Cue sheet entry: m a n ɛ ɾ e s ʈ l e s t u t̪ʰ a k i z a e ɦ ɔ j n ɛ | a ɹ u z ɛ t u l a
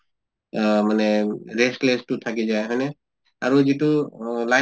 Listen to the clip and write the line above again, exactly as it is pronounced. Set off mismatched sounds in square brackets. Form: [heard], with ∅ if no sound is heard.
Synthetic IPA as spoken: m a n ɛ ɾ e s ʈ l e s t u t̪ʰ a k i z a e ɦ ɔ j n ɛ | a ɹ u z [i] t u l a